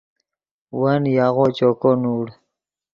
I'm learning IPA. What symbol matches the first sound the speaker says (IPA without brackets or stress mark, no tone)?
w